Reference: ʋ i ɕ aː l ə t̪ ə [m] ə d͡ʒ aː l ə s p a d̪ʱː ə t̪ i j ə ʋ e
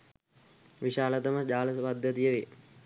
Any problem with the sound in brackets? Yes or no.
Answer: no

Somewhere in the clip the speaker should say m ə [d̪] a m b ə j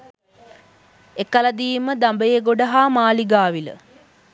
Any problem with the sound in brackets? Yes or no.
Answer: no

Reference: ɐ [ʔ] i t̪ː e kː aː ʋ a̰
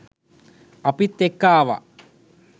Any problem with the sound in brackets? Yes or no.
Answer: yes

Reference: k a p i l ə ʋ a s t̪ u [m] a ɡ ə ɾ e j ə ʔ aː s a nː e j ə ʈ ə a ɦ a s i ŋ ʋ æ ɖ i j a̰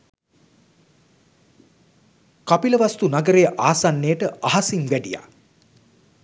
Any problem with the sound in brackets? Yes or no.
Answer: yes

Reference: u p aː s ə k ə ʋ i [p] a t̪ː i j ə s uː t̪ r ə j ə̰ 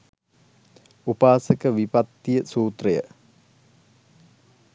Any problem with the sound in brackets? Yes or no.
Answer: no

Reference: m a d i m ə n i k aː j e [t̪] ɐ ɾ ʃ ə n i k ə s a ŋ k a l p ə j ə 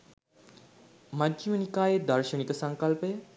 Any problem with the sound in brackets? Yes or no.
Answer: yes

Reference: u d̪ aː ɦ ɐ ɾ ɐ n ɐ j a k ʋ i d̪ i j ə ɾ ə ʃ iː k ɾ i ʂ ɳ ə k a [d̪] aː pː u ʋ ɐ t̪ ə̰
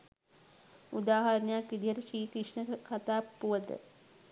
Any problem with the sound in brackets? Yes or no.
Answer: yes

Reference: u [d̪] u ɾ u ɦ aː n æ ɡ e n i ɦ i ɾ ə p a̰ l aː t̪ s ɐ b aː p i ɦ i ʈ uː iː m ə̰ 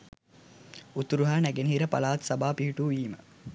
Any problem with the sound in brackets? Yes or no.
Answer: yes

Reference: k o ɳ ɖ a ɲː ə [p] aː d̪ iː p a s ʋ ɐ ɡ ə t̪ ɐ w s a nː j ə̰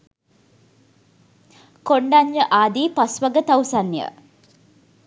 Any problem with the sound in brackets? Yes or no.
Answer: yes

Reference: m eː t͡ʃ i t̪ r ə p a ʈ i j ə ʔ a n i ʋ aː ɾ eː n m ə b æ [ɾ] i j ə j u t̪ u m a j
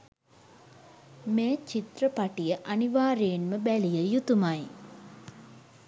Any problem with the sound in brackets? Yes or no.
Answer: yes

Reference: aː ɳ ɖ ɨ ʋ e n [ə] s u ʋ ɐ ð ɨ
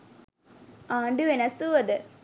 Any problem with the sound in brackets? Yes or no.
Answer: yes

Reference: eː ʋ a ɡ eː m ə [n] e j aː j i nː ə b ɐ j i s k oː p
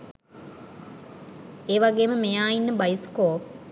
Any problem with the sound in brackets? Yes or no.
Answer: yes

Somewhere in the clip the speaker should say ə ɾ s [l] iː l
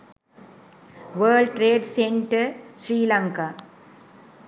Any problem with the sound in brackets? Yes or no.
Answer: yes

